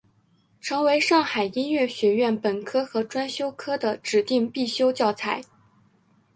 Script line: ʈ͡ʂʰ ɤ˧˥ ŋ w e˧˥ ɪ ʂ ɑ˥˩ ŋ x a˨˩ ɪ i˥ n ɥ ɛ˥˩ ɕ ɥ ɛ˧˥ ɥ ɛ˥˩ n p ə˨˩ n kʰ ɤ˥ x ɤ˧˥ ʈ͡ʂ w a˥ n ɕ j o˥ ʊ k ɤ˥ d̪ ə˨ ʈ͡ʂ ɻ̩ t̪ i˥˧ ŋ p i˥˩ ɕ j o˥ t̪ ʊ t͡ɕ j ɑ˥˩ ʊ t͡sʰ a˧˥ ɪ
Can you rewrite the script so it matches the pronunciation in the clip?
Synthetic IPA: ʈ͡ʂʰ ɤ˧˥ ŋ w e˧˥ ɪ ʂ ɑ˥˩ ŋ x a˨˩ ɪ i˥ n ɥ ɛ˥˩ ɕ ɥ ɛ˧˥ ɥ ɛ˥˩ n p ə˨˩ n kʰ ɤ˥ x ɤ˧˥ ʈ͡ʂ w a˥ n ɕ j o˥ ʊ kʰ ɤ˥ d̪ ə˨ ʈ͡ʂ ɻ̩ t̪ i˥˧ ŋ p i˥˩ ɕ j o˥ ʊ t͡ɕ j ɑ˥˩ ʊ t͡sʰ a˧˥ ɪ

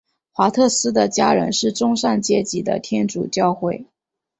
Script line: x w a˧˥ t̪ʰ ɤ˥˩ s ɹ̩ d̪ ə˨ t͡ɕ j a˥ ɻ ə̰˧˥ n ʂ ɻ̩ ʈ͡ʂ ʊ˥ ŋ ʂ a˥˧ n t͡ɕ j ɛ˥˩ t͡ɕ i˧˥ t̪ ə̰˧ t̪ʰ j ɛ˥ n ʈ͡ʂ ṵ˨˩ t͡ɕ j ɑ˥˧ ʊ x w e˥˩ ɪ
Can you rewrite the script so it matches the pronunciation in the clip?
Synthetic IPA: x w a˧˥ t̪ʰ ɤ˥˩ s ɹ̩ d̪ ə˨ t͡ɕ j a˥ ɻ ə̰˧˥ n ʂ ɻ̩ ʈ͡ʂ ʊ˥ ŋ ʂ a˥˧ n t͡ɕ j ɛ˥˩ t͡ɕ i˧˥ d̪ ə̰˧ t̪ʰ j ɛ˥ n ʈ͡ʂ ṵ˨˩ t͡ɕ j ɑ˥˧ ʊ x w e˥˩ ɪ

